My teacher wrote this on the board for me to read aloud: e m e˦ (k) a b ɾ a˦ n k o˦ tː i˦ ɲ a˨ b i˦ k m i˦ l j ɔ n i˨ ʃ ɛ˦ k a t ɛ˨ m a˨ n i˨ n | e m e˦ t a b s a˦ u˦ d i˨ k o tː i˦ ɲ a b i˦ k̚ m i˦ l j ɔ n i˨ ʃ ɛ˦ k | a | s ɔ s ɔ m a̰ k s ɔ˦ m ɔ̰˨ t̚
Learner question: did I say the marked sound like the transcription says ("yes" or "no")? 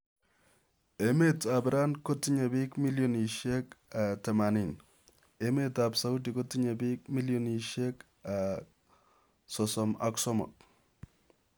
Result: no